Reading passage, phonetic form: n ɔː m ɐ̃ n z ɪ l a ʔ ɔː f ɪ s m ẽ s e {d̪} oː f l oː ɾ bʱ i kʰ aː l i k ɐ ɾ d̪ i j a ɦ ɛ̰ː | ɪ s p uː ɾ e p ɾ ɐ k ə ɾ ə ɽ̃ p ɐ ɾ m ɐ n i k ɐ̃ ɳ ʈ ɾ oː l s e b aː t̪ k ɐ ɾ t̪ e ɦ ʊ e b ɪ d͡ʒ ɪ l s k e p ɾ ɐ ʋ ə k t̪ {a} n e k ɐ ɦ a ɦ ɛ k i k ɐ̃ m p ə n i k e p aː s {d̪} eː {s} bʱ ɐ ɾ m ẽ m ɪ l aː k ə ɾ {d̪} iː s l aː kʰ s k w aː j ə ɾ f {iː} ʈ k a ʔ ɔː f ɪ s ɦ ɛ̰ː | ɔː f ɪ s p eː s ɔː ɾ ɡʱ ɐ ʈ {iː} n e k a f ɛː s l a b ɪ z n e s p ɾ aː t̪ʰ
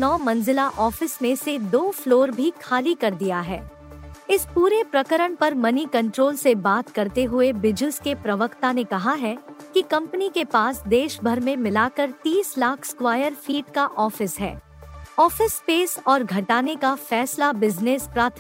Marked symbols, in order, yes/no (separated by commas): yes, yes, yes, no, no, yes, no